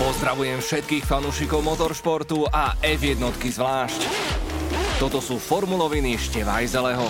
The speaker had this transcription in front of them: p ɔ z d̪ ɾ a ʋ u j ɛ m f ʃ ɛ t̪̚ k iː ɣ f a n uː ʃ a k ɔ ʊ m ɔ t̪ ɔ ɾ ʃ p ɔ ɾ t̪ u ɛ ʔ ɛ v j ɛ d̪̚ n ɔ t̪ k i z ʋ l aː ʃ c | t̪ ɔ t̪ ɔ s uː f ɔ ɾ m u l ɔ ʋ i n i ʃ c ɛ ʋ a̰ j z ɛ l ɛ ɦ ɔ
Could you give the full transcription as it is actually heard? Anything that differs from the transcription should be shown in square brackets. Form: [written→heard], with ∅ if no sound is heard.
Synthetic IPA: p ɔ z d̪ ɾ a ʋ u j ɛ m f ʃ ɛ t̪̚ k iː [ɣ→x] f a n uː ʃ [a→i] k ɔ ʊ m ɔ t̪ ɔ ɾ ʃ p ɔ ɾ t̪ u [ɛ→a] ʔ ɛ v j ɛ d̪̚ n ɔ t̪ k i z ʋ l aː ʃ c | t̪ ɔ t̪ ɔ s uː f ɔ ɾ m u l ɔ ʋ i n i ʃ c ɛ ʋ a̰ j z ɛ l ɛ ɦ ɔ